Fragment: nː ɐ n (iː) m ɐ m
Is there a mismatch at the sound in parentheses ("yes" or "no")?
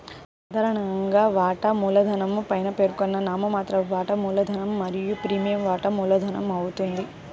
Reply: yes